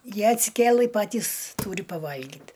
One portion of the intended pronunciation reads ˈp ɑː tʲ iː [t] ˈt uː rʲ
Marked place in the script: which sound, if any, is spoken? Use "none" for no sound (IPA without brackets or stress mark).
s